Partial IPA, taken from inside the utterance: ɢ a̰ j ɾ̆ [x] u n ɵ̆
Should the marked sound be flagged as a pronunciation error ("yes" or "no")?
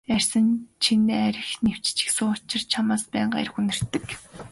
no